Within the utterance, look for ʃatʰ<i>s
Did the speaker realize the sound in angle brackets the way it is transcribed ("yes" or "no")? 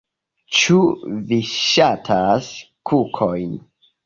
no